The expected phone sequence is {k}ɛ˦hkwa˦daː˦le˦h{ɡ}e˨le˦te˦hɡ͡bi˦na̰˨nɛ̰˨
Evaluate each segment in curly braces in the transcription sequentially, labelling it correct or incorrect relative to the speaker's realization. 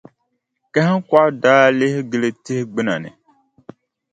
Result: correct, correct

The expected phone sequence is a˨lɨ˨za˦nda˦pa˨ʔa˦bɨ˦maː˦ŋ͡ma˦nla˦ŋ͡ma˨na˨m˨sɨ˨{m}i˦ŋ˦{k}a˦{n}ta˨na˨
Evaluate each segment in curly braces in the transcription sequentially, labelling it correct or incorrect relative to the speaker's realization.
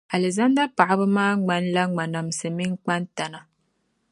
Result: correct, incorrect, correct

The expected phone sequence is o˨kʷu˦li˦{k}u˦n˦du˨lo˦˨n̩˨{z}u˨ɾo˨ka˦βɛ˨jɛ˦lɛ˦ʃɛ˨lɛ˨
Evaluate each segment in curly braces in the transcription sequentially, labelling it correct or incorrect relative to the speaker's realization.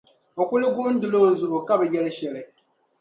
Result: incorrect, correct

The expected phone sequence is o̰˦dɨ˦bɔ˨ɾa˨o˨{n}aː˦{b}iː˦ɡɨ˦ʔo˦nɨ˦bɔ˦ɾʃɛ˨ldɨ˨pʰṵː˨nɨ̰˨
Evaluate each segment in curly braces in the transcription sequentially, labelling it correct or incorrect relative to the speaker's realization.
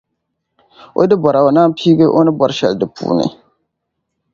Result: correct, incorrect

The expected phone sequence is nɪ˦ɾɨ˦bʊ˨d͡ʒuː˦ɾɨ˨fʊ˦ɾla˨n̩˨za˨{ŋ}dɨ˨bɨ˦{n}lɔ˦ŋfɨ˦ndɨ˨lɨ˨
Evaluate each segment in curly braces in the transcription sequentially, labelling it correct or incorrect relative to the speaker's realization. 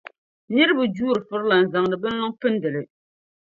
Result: correct, correct

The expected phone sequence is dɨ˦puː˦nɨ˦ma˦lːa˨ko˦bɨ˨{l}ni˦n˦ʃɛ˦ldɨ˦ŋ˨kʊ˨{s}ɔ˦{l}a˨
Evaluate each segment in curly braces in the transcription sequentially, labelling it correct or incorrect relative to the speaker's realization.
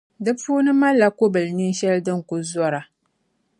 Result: correct, incorrect, incorrect

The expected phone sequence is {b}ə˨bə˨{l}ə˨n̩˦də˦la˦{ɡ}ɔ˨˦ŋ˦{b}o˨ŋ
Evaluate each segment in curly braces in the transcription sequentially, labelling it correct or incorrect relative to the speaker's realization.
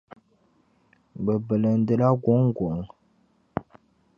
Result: correct, correct, correct, incorrect

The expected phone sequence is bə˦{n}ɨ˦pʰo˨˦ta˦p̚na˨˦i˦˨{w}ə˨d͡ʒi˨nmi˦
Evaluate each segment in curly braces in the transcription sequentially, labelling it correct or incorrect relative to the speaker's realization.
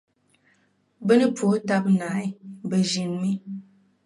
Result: correct, incorrect

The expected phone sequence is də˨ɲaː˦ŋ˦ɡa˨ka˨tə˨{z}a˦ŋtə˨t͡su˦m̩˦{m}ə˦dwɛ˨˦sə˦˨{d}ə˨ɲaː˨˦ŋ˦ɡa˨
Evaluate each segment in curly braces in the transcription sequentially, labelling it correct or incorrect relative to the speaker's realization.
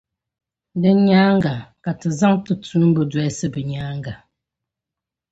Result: correct, incorrect, incorrect

